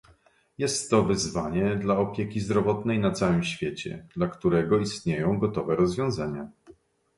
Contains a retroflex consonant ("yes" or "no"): no